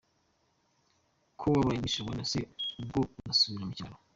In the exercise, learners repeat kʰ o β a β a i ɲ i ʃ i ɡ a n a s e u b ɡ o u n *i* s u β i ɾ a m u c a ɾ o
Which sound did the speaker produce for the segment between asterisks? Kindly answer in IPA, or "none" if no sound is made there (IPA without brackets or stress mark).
a